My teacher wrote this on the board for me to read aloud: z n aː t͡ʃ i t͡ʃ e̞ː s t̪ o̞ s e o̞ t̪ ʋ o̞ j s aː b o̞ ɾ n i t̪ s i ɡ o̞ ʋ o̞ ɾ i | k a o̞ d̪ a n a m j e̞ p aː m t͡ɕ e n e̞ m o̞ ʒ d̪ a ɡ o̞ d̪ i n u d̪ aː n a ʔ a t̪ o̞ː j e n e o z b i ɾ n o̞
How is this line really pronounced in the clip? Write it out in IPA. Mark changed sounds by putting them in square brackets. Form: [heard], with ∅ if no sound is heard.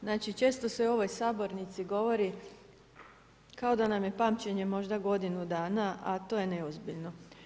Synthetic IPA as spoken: z n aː t͡ʃ i t͡ʃ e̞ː s t̪ o̞ s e o̞ [∅] ʋ o̞ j s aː b o̞ ɾ n i t̪ s i ɡ o̞ ʋ o̞ ɾ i | k a o̞ d̪ a n a m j e̞ p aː m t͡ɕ e [ɲ] e̞ m o̞ ʒ d̪ a ɡ o̞ d̪ i n u d̪ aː n a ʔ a t̪ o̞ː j e n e o z b i [ʎ] n o̞